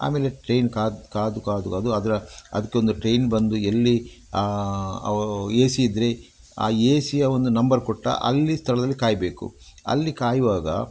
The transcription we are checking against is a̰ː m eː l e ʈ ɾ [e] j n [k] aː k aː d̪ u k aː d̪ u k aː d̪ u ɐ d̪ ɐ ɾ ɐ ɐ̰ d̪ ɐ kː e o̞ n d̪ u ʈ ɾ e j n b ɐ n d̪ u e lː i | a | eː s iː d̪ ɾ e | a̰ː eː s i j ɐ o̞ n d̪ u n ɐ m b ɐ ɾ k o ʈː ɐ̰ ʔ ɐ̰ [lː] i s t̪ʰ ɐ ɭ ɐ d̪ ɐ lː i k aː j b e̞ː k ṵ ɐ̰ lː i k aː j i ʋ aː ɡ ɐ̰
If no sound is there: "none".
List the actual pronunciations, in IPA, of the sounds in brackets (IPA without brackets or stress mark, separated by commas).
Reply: e, k, lː